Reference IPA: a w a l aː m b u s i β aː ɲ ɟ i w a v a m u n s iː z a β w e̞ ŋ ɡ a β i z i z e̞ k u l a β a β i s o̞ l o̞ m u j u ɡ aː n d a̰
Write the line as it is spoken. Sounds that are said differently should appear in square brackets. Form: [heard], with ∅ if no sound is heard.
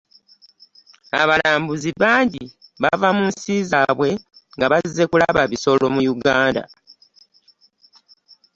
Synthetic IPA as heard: a [β] a l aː m b u [z] i β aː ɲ ɟ i [β] a v a m u n s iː z a β w e̞ ŋ ɡ a β [a] z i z e̞ k u l a β a β i s o̞ l o̞ m u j u ɡ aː n d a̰